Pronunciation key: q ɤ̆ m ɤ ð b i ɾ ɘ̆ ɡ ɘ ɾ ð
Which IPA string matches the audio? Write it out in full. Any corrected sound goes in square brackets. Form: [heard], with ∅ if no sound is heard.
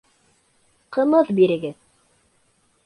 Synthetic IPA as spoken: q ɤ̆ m ɤ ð b i ɾ ɘ̆ ɡ ɘ [∅] ð